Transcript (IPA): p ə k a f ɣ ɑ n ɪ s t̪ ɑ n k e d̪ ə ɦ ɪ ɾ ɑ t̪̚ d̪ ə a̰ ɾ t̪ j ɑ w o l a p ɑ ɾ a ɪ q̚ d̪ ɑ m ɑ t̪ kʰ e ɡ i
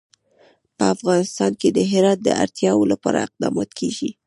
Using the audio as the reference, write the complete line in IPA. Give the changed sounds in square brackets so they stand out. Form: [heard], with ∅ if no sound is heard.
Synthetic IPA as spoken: p ə [∅] a f ɣ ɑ n ɪ s t̪ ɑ n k e d̪ ə ɦ ɪ ɾ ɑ t̪̚ d̪ ə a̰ ɾ t̪ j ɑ w o l a p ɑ ɾ a ɪ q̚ d̪ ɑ m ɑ t̪ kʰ e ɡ i